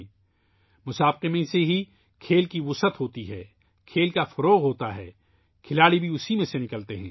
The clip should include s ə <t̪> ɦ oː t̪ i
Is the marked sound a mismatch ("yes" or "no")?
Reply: no